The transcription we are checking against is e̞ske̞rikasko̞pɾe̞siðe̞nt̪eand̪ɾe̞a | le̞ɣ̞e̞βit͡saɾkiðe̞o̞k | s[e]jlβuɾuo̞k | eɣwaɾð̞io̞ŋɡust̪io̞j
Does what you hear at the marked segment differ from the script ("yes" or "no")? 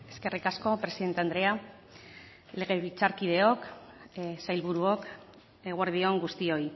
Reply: yes